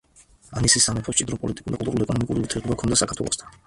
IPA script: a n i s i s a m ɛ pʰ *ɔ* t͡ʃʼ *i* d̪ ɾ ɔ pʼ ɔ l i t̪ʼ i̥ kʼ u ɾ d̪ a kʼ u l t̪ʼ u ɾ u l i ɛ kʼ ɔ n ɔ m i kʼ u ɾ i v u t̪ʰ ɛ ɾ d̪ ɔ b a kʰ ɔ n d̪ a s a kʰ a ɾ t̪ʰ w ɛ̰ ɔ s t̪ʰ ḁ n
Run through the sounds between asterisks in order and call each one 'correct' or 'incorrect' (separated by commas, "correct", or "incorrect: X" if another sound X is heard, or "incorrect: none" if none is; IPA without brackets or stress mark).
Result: correct, correct